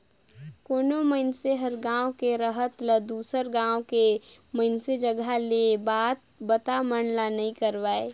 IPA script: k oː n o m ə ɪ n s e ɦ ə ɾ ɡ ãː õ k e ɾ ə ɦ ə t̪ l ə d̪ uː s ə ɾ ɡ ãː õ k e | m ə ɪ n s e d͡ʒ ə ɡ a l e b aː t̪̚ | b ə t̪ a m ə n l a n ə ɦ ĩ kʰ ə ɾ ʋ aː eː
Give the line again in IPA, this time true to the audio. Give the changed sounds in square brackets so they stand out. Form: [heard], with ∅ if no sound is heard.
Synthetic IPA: k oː n o m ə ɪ n s e ɦ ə ɾ ɡ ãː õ k e ɾ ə ɦ ə t̪ l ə d̪ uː s ə ɾ ɡ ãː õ k e | m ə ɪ n s e d͡ʒ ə ɡ a l e b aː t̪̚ | b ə t̪ a m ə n l a n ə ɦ ĩ [k] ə ɾ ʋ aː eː